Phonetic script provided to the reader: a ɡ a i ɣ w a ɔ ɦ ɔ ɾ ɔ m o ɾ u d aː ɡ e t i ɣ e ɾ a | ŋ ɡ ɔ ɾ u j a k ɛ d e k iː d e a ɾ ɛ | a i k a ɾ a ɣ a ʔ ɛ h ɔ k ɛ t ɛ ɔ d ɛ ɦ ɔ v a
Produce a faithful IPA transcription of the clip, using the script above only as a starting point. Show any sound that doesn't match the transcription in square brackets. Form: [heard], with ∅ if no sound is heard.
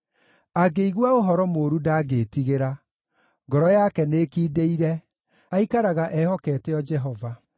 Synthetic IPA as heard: a ɡ [e] i ɣ w a [o] ɦ ɔ ɾ ɔ m o ɾ u d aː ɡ e t i ɣ e ɾ a | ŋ ɡ ɔ ɾ [ɔ] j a k ɛ [n] e k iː d e [i] ɾ ɛ | a i k a ɾ a ɣ a ʔ ɛ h ɔ k ɛ t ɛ ɔ [d͡ʒ] ɛ ɦ ɔ v a